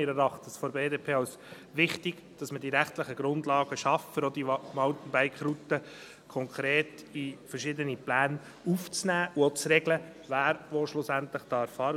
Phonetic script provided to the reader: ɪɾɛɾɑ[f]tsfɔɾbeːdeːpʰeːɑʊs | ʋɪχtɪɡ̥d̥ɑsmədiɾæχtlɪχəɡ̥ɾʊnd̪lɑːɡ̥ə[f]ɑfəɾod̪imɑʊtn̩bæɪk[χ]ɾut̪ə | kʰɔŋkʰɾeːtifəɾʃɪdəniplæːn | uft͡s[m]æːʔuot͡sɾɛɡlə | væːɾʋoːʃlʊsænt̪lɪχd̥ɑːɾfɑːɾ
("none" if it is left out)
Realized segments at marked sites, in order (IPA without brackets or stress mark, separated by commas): χ, ʃ, χ, n